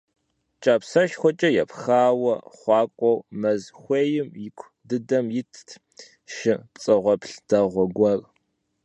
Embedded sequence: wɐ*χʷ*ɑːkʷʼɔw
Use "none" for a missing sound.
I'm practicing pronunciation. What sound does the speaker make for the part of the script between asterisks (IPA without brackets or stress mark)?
χʷ